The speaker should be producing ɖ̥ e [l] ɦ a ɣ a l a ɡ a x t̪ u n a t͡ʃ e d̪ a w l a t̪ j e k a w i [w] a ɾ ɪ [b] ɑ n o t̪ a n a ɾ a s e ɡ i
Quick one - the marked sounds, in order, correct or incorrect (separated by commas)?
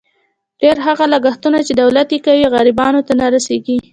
incorrect, incorrect, correct